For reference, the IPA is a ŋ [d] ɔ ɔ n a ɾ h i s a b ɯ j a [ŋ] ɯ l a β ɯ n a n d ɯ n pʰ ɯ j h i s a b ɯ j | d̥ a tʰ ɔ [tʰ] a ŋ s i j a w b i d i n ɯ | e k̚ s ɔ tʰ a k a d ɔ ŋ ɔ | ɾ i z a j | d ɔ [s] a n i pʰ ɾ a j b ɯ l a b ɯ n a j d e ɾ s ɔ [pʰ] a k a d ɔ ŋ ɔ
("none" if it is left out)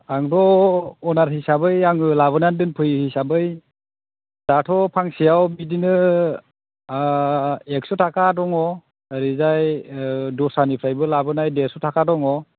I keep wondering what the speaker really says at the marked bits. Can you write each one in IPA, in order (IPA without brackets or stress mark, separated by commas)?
d, ŋ, pʰ, s, tʰ